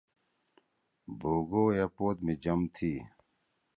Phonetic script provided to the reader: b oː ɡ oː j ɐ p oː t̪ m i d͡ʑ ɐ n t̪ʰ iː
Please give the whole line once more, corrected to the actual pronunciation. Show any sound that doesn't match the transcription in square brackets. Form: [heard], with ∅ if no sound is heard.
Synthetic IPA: b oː ɡ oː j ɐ p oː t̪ m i d͡ʑ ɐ [m] t̪ʰ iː